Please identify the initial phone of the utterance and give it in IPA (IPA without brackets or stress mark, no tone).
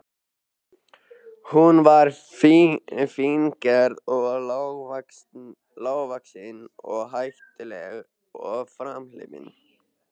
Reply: h